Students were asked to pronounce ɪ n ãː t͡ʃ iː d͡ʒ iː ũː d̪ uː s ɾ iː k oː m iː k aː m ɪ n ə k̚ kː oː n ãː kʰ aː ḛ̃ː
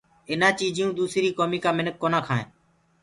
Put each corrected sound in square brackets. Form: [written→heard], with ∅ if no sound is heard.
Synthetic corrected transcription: ɪ n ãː t͡ʃ iː d͡ʒ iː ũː d̪ uː s ɾ iː k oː m iː k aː m ɪ n ə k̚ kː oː n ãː kʰ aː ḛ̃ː